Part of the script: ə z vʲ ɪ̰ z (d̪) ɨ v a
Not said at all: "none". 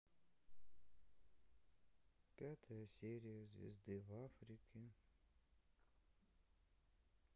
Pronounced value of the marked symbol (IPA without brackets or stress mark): d̪